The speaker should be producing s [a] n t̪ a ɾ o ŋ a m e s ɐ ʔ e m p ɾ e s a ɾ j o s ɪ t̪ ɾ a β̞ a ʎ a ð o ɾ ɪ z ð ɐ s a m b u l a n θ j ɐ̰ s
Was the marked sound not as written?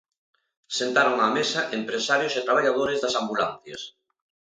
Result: yes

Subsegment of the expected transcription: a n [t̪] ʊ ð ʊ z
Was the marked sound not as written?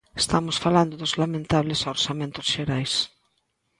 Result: yes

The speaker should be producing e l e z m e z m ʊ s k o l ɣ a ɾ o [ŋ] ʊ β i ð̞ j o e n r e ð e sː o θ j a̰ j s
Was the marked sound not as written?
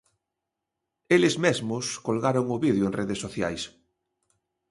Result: no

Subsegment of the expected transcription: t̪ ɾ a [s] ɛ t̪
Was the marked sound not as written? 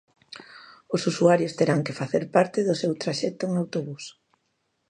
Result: yes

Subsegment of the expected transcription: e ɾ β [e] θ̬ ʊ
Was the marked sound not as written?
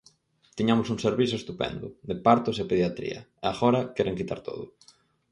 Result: yes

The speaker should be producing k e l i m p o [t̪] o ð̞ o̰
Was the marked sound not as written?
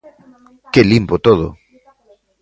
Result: no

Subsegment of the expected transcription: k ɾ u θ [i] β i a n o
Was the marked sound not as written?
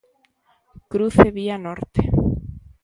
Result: yes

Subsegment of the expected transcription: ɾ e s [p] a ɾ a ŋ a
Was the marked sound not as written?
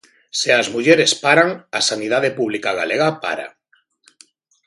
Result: no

